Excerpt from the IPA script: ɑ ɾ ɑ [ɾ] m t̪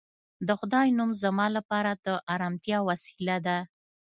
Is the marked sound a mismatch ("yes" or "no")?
yes